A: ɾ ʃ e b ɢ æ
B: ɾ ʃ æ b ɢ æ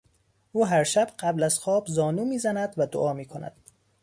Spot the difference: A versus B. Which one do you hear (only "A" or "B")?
B